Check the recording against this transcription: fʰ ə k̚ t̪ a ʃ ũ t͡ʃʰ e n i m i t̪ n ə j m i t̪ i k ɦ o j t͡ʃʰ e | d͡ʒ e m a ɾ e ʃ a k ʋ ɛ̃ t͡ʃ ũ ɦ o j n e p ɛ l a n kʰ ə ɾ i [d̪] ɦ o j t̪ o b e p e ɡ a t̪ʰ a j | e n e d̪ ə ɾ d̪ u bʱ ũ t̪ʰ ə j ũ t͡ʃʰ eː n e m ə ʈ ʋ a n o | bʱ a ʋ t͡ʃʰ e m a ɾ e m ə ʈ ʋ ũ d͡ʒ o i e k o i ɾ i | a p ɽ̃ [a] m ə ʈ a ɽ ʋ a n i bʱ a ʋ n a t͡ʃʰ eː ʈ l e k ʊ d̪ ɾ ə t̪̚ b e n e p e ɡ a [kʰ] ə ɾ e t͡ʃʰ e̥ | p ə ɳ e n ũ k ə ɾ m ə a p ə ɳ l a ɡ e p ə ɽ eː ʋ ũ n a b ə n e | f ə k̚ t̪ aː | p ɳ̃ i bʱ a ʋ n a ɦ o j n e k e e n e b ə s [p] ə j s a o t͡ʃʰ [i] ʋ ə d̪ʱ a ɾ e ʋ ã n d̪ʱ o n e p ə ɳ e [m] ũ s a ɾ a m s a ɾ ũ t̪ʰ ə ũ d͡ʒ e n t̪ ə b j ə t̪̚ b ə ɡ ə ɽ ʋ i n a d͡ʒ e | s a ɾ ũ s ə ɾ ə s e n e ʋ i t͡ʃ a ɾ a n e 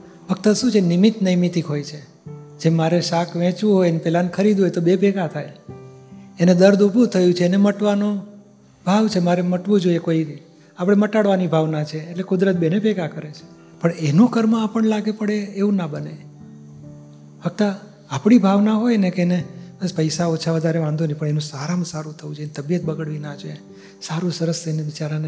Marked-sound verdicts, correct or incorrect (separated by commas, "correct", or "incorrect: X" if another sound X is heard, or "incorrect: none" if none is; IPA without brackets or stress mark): correct, incorrect: e, incorrect: k, correct, incorrect: a, incorrect: n